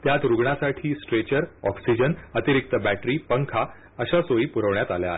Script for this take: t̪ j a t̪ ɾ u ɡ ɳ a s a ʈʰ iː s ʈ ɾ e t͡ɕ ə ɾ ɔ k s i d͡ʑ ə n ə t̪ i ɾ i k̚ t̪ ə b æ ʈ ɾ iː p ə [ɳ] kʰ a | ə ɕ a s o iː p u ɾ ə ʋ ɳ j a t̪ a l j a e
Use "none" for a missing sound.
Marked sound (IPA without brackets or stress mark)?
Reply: ŋ